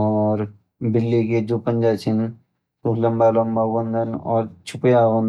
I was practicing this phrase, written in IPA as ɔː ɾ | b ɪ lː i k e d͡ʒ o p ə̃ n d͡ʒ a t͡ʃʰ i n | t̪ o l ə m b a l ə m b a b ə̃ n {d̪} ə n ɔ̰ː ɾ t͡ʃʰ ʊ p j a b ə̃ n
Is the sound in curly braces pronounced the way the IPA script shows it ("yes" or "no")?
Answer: yes